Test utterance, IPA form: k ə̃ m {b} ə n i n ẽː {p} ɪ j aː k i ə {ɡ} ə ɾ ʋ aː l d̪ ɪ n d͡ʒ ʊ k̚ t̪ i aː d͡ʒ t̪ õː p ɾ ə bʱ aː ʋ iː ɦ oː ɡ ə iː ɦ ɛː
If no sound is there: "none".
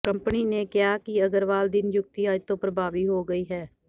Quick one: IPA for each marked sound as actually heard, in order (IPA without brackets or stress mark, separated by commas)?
p, k, ɡ